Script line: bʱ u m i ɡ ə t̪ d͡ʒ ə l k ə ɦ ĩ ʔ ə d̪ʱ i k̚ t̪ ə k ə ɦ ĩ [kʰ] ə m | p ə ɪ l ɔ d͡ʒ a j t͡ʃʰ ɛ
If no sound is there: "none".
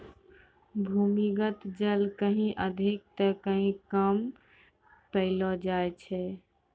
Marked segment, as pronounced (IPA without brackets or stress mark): k